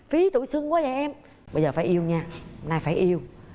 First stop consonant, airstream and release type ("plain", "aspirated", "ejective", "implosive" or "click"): plain